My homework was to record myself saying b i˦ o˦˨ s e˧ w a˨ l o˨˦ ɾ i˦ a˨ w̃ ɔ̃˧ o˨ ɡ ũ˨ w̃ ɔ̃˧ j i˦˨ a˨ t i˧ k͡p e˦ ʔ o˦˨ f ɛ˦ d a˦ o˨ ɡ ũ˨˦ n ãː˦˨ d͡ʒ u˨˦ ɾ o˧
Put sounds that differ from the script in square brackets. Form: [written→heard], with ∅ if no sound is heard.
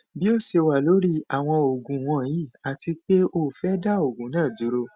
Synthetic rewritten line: b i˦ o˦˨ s e˧ w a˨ l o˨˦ ɾ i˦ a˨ w̃ ɔ̃˧ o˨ ɡ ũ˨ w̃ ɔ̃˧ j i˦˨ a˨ t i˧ k͡p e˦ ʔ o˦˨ f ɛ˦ d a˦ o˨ ɡ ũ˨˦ n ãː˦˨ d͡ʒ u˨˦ ɾ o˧